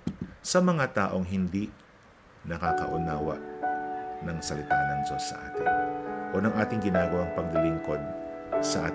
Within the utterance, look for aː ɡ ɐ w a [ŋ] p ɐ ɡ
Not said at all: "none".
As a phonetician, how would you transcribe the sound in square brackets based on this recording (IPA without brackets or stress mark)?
ŋ